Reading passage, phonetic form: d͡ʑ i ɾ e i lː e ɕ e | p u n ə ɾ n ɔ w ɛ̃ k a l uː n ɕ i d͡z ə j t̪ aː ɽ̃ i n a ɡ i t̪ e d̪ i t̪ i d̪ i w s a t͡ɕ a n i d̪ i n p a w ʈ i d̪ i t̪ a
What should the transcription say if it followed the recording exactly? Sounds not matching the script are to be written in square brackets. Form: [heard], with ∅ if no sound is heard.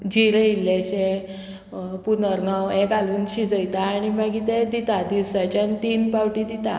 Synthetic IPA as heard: d͡ʑ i ɾ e i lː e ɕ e | p u n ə ɾ n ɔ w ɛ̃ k a l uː n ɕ i d͡z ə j t̪ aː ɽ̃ i [m] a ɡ i t̪ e d̪ i t̪ [a] d̪ i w s a t͡ɕ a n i [t̪] i n p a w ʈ i d̪ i t̪ a